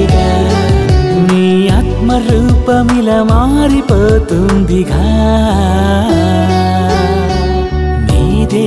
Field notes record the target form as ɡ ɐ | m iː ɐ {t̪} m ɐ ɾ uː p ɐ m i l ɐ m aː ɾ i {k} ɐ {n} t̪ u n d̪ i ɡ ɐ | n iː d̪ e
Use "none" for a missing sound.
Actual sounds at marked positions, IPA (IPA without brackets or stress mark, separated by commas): t̪, p, none